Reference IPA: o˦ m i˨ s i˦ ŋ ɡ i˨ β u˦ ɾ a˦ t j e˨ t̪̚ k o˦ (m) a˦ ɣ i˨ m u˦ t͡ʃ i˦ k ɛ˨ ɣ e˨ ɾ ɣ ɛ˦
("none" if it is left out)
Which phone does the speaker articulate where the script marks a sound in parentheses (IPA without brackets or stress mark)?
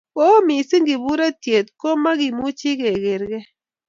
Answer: m